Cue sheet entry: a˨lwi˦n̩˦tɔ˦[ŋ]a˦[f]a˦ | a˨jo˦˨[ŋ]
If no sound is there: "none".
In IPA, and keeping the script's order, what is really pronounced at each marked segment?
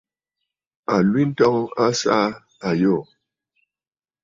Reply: ŋ, s, none

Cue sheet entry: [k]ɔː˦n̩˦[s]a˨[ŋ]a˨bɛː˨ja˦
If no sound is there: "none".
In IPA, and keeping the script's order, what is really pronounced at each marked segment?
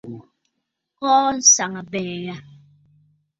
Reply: k, s, ŋ

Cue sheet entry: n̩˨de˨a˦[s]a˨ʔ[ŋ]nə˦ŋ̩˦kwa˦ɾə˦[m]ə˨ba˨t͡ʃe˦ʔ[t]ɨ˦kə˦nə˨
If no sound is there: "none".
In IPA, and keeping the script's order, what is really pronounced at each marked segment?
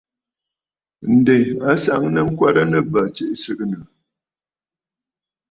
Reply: s, ŋ, n, s

